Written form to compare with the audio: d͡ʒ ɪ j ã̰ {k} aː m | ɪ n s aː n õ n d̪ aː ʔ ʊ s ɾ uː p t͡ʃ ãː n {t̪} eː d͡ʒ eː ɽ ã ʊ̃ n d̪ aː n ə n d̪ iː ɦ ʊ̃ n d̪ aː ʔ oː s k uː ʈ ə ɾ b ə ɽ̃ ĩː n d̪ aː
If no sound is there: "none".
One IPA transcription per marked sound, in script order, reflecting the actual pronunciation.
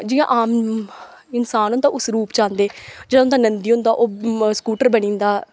ʔ, d̪

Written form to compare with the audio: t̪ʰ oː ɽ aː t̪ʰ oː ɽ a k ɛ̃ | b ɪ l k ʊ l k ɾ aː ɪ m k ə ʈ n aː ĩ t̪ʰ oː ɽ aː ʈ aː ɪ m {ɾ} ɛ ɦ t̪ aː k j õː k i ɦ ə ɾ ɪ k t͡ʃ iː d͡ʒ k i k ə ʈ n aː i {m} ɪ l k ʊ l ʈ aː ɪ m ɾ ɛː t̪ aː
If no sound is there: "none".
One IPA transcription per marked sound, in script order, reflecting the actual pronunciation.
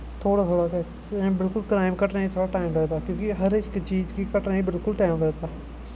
ɾ, b

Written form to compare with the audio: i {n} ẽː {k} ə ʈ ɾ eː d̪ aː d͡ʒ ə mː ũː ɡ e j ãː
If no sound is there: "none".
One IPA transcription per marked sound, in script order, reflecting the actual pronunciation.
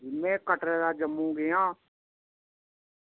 m, k

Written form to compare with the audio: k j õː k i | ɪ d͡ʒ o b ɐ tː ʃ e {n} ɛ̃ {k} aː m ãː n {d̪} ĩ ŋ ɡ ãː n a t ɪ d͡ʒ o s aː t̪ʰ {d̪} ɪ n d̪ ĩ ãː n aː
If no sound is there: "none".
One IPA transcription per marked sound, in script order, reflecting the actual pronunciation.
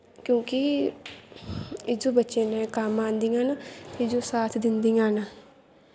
n, k, d̪, d̪

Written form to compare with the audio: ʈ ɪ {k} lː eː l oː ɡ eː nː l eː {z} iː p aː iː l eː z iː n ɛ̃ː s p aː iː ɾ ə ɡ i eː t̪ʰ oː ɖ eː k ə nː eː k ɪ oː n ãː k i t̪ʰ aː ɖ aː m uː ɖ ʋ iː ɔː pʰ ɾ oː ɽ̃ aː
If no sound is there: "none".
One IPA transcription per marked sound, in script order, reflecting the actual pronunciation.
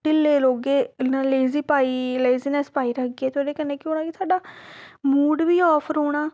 none, z

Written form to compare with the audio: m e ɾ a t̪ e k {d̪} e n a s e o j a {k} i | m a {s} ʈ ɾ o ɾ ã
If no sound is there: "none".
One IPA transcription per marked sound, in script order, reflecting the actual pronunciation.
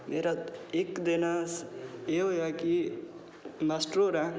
d̪, k, s

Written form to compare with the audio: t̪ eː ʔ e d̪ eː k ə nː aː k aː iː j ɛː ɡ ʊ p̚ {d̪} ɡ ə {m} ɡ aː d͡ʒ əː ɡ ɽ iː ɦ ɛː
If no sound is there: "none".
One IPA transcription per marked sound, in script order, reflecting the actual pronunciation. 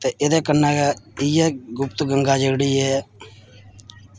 t̪, ŋ

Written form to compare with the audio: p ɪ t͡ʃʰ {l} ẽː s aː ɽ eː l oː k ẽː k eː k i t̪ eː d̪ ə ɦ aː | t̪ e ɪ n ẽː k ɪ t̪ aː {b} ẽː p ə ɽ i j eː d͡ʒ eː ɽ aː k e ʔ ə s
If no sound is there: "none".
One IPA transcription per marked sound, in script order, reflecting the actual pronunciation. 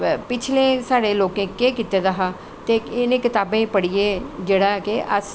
l, b

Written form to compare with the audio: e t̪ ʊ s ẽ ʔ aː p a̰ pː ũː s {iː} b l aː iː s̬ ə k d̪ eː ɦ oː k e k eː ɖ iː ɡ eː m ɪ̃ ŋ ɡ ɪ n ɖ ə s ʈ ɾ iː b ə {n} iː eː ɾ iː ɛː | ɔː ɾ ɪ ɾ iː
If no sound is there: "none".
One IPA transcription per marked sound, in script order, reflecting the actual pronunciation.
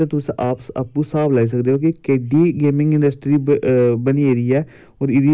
aː, n

